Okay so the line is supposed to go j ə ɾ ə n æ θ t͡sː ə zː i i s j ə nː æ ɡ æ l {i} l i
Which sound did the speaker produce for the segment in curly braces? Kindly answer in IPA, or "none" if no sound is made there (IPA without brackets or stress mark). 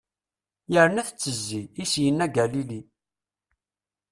i